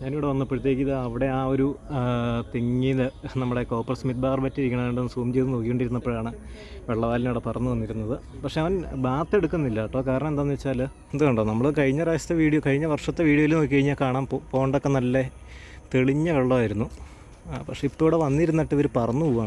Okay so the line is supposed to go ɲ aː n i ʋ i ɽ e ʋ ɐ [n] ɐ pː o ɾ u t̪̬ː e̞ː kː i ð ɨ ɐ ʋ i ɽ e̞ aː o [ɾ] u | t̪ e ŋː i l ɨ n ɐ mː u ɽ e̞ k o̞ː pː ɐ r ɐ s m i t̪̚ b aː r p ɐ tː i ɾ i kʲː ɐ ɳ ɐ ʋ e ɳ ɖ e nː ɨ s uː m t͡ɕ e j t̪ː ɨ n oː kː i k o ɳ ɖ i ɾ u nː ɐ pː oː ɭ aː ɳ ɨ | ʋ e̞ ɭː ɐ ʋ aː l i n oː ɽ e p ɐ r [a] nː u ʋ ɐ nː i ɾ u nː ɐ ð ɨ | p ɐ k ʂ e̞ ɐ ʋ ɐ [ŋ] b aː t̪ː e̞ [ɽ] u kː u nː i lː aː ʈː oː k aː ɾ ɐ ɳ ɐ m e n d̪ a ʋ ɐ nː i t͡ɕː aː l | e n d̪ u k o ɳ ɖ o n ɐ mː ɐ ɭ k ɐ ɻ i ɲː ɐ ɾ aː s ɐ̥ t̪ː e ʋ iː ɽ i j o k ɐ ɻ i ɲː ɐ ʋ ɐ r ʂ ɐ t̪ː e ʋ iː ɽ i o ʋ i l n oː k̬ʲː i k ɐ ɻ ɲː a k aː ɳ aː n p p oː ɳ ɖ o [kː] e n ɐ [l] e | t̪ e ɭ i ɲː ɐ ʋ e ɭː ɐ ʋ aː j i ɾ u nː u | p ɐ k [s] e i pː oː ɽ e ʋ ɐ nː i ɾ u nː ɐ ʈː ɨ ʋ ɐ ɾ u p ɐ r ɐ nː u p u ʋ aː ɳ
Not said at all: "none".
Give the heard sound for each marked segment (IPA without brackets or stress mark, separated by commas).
nː, ɾ, ɐ, n, ɽ, kː, lː, ʂ